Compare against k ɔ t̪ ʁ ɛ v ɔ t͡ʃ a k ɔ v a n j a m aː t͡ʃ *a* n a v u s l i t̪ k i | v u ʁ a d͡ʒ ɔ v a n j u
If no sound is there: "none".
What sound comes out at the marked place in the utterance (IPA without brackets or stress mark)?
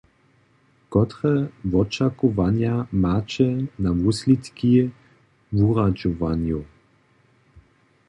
ɛ